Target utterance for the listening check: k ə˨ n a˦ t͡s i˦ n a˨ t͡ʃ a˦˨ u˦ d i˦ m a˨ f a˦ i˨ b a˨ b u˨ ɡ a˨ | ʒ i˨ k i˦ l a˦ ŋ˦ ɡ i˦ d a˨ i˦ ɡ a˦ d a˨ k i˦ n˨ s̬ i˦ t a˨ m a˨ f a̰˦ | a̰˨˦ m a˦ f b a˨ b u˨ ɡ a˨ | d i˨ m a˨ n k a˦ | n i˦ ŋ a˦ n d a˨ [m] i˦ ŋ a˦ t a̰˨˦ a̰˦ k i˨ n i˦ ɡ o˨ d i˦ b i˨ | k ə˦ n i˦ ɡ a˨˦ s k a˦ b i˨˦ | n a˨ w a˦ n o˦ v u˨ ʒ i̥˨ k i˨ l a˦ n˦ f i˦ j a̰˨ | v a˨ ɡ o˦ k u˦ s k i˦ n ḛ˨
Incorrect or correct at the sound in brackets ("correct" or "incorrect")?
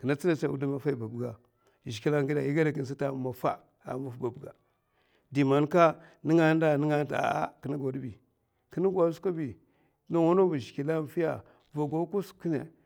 incorrect